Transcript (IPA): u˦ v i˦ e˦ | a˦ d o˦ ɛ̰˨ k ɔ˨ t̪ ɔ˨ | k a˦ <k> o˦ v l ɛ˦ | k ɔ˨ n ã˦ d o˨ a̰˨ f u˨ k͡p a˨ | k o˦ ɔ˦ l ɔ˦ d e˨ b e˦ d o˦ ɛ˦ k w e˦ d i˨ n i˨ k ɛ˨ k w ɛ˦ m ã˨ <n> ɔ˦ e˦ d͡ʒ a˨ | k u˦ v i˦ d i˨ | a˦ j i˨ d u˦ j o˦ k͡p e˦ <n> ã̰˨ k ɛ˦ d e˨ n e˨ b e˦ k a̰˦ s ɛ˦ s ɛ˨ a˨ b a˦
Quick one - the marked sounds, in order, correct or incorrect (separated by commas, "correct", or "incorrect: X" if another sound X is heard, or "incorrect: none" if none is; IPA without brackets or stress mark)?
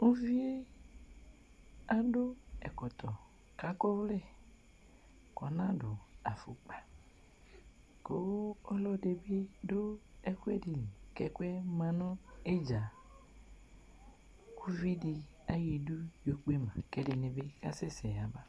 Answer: correct, correct, incorrect: m